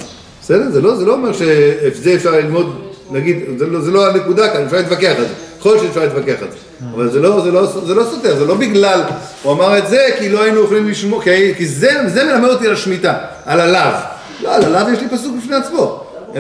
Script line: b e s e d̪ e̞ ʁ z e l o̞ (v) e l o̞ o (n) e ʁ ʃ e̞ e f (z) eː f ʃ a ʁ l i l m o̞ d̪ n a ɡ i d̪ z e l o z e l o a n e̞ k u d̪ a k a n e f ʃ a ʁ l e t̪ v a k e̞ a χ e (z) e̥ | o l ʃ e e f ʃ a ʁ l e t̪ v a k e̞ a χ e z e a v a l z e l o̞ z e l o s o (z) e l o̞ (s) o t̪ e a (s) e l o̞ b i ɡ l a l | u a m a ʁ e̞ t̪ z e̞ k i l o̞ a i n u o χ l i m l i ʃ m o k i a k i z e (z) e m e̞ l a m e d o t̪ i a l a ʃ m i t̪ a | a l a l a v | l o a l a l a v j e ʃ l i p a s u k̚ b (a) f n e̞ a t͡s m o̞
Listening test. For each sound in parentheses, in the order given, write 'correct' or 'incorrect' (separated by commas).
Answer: incorrect, incorrect, correct, correct, correct, correct, incorrect, correct, incorrect